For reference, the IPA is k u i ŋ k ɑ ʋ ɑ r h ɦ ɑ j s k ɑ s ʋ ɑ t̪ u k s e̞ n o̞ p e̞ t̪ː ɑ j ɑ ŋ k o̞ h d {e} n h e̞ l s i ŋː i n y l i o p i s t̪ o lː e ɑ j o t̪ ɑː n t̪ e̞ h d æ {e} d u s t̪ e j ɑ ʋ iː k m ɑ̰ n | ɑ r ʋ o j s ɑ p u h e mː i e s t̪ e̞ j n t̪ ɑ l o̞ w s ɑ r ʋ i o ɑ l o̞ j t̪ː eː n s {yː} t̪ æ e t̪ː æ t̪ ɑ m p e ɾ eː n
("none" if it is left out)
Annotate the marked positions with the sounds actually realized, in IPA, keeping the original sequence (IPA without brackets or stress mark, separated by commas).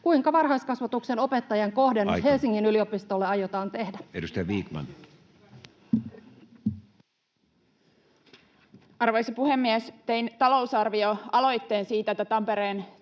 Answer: e, e, iː